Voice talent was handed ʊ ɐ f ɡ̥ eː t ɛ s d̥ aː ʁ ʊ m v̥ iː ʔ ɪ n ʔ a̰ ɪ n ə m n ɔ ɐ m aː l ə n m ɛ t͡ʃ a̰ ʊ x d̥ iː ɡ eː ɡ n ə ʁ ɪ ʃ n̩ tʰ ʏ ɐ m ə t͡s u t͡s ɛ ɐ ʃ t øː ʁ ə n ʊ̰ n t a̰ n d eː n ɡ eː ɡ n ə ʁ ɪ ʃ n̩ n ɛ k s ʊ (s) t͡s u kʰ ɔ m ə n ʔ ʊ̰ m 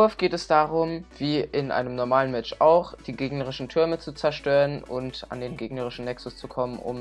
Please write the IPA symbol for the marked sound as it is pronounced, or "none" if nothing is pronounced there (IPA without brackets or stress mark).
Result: s